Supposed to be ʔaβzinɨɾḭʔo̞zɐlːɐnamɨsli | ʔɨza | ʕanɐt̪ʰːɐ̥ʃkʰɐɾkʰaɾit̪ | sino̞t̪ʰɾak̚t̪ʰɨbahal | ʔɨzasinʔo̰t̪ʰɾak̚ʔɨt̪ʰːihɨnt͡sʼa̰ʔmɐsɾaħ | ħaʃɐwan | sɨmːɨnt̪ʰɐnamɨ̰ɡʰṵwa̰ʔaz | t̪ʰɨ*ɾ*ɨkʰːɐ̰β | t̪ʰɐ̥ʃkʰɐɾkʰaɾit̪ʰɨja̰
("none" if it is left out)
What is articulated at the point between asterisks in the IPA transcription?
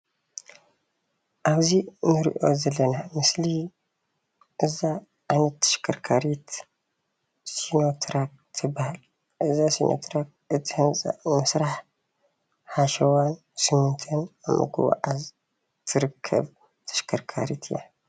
ɾ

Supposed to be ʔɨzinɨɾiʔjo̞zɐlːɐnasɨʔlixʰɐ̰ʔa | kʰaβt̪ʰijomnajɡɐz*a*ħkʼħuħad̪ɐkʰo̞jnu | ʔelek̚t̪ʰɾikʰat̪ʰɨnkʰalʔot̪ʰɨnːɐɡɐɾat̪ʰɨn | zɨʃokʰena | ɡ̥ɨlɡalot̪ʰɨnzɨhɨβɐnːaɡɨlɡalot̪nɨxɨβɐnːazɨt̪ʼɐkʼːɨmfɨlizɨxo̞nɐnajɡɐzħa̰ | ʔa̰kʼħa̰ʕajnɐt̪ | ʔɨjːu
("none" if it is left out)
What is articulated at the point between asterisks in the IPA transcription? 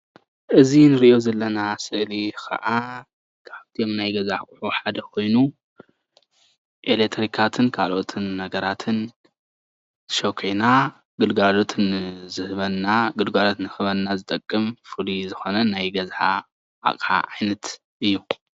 a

